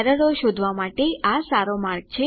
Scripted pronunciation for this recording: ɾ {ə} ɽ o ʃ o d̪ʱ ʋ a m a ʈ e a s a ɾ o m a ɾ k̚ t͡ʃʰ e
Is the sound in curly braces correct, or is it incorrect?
correct